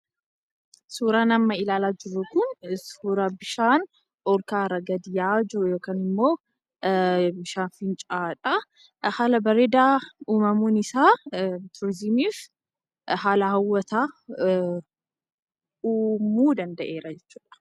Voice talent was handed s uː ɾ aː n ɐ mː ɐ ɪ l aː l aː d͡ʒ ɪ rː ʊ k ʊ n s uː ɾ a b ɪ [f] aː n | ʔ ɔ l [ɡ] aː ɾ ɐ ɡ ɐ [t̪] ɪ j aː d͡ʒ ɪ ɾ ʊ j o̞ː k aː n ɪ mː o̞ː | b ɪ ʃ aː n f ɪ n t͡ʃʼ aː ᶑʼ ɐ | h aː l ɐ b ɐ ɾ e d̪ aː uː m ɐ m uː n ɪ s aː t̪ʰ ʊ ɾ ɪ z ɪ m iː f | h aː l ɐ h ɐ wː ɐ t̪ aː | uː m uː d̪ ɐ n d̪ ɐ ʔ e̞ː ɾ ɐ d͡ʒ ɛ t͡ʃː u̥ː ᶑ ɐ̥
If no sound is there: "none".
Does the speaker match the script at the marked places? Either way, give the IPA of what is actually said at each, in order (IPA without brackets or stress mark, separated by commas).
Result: ʃ, k, d̪